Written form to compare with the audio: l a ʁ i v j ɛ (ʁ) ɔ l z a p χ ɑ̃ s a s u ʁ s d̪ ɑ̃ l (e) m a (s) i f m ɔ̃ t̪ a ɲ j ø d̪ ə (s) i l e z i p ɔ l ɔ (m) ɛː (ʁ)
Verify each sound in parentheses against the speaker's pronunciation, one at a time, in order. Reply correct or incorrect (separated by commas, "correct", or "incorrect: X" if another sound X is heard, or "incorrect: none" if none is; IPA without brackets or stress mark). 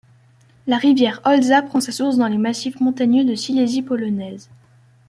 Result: correct, correct, correct, correct, incorrect: n, incorrect: z